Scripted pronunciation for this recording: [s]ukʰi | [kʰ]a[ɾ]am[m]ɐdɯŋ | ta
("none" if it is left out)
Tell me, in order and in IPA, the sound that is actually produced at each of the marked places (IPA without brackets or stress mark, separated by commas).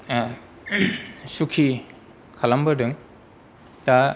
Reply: s, kʰ, l, b